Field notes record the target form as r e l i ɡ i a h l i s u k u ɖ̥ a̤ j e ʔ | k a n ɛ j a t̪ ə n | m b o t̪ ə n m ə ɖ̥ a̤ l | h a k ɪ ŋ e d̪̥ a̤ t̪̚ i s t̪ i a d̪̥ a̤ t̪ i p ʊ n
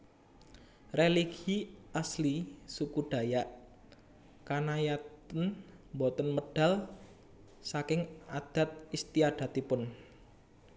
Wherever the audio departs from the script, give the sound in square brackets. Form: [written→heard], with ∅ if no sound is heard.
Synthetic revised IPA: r e l i ɡ i a [h→s] l i s u k u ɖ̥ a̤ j [e→a] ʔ | k a n [ɛ→a] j a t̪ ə n | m b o t̪ ə n m ə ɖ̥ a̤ l | [h→s] a k ɪ ŋ [e→a] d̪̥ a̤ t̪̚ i s t̪ i a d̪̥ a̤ t̪ i p ʊ n